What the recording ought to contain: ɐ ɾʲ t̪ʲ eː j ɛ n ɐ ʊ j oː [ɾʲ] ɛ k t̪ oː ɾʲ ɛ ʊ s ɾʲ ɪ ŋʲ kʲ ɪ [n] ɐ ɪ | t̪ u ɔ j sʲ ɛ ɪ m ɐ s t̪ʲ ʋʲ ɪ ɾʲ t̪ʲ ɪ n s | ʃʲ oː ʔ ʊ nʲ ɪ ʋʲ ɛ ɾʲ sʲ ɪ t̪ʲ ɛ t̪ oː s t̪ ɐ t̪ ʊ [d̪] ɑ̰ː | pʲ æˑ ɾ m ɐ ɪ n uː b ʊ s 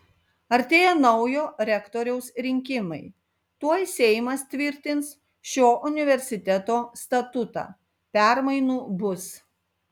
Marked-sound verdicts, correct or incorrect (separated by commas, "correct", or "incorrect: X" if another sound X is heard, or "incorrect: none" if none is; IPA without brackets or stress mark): correct, incorrect: m, incorrect: t̪